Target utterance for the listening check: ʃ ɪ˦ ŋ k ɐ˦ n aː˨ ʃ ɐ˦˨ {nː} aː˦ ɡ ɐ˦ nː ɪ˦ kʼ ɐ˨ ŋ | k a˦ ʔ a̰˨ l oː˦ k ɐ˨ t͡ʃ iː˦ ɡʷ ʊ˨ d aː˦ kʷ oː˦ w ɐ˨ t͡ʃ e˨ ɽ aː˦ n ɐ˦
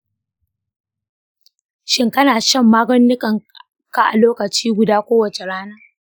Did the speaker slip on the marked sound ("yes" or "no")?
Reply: yes